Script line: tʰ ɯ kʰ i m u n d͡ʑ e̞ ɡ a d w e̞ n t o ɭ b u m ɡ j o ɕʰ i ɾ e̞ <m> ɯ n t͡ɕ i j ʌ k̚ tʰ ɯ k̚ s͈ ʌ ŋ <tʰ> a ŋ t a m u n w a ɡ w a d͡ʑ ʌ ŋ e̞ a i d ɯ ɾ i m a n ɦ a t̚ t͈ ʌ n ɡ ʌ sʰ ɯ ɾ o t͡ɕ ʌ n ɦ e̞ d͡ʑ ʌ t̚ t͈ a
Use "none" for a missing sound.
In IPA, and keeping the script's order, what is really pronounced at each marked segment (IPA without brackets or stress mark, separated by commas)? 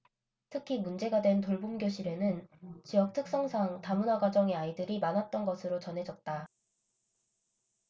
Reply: n, sʰ